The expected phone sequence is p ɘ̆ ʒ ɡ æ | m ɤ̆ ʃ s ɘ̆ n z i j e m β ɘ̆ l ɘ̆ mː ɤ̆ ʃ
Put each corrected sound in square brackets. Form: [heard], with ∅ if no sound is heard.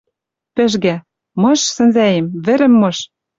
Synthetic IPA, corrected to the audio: p ɘ̆ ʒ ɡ æ | m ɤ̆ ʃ s ɘ̆ n z [æ] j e m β ɘ̆ [ɾ] ɘ̆ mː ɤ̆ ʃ